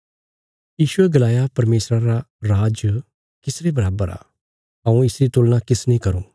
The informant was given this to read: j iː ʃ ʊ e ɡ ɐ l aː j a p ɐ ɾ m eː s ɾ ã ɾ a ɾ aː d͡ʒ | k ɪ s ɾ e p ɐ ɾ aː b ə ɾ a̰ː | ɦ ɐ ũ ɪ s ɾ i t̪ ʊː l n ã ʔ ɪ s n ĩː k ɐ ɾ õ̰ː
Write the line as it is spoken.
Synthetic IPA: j iː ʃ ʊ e ɡ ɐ l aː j a p ɐ ɾ m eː s ɾ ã ɾ a ɾ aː d͡ʒ | k ɪ s ɾ e b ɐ ɾ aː b ə ɾ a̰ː | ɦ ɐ ũ ɪ s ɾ i t̪ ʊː l n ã k ɪ s n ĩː k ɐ ɾ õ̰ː